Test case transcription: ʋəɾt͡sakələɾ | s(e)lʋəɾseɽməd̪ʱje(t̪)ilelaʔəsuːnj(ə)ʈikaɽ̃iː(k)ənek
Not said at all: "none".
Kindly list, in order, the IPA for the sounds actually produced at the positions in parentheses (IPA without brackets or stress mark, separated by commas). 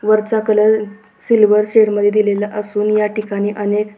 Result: i, d̪, a, ʔ